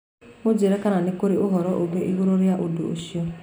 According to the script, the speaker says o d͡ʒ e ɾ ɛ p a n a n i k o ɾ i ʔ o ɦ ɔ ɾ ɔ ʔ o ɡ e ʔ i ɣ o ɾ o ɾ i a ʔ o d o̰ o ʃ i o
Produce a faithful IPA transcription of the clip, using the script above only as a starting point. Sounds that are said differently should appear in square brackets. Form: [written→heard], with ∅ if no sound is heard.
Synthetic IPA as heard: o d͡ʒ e ɾ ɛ [p→k] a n a n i k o ɾ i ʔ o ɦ ɔ ɾ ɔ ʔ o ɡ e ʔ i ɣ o ɾ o ɾ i a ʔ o d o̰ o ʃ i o

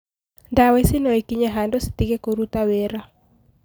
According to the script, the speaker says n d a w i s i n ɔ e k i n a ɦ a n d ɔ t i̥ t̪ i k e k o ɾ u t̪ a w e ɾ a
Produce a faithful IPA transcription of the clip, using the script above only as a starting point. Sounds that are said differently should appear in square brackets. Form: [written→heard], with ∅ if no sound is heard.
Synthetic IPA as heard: n d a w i s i n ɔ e k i [n→ɲ] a ɦ a n d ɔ [t→s] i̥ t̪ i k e k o ɾ u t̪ a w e ɾ a

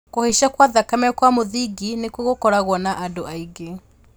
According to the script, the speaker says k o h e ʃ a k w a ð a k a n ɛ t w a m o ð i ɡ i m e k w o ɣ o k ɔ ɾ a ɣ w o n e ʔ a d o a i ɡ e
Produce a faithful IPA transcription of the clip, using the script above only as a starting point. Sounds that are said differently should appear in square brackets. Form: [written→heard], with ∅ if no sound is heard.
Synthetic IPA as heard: k o h e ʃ a k w a ð a k a [n→m] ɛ [t→k] w a m o ð i ɡ i [m→n] e k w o ɣ o k ɔ ɾ a ɣ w [o→ɔ] n [e→a] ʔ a d o a i ɡ e

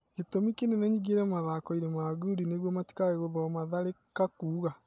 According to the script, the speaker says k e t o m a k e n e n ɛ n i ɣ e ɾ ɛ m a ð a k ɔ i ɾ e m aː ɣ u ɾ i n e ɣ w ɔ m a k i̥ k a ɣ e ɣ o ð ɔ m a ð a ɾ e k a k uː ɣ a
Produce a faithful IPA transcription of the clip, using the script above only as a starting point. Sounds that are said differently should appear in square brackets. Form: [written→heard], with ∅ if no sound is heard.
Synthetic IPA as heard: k e t o m [a→i] k e n e n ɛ [n→ɲ] i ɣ e ɾ ɛ m a ð a k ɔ i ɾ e m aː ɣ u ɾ i n e ɣ w ɔ m a [k→t] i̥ k a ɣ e ɣ o ð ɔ m a ð a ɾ e k a k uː ɣ a

